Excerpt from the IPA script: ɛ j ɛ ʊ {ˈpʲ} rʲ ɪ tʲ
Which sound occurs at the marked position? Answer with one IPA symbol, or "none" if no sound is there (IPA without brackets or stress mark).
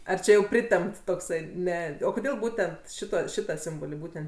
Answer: pʲ